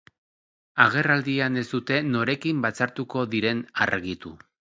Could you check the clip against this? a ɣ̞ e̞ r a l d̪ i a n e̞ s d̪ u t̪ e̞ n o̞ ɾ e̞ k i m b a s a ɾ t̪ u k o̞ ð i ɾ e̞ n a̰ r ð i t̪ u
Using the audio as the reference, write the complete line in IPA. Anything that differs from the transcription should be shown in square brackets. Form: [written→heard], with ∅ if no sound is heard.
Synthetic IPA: a ɣ̞ e̞ r a l d̪ i a n e̞ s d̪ u t̪ e̞ n o̞ ɾ e̞ k i m b a [s→t͡s] a ɾ t̪ u k o̞ ð i ɾ e̞ n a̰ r [ð→ɣ] i t̪ u